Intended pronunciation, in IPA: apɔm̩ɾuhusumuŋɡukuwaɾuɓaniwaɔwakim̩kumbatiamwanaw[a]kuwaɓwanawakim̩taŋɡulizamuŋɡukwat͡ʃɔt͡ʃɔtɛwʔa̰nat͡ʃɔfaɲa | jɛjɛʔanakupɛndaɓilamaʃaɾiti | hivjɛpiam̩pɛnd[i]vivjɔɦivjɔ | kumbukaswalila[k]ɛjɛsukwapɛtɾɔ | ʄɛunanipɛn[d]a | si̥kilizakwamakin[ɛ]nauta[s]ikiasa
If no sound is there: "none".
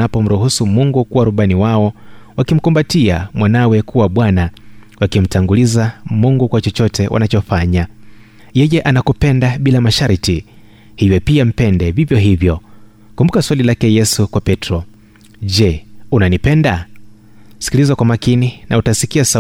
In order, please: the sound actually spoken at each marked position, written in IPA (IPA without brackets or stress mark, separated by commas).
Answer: ɛ, ɛ, k, d, i, s